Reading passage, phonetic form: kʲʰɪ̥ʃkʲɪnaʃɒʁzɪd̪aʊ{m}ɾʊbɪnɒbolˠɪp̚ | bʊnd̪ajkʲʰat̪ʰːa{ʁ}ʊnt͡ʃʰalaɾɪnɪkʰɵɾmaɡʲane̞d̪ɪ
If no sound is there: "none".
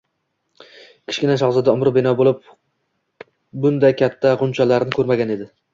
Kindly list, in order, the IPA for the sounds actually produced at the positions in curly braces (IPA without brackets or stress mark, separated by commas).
m, ʁ